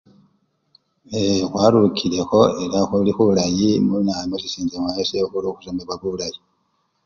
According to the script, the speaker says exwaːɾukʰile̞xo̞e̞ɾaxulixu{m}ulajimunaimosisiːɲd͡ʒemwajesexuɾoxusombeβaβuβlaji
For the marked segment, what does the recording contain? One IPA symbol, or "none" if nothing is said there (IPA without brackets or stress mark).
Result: none